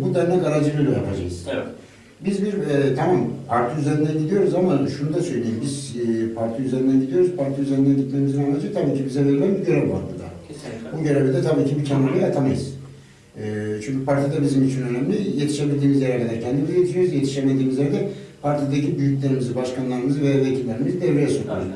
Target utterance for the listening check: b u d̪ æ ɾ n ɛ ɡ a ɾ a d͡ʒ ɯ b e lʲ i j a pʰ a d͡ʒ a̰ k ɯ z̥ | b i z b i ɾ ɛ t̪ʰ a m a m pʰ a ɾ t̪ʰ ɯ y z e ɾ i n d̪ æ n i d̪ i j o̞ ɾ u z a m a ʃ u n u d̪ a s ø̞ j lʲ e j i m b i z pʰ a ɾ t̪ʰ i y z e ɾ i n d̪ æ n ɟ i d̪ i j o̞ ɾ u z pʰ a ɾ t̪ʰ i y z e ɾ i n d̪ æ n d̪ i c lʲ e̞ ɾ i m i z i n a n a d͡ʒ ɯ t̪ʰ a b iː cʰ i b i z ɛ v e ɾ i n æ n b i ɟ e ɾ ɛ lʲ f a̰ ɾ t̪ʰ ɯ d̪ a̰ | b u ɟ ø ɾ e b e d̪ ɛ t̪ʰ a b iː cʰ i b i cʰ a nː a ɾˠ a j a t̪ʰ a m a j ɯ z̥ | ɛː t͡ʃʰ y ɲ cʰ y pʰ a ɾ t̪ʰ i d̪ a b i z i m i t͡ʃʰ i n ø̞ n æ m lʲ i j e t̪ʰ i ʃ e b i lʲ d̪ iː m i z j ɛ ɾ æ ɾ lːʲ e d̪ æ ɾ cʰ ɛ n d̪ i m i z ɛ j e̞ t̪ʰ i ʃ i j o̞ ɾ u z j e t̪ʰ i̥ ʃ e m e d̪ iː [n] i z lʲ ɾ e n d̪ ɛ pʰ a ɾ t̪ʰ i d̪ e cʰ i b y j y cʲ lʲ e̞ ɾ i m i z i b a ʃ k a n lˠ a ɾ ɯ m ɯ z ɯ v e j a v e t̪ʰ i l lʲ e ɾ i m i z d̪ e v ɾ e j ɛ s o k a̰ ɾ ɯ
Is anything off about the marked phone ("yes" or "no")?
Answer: yes